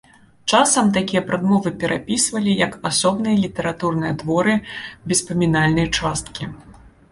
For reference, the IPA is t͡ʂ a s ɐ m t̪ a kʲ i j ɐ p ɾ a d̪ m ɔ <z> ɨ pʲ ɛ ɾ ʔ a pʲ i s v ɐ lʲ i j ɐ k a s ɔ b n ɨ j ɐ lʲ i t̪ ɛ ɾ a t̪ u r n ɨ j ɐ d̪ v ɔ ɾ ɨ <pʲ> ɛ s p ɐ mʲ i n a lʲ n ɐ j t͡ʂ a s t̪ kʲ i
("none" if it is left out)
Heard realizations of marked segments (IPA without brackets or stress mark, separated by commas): v, bʲ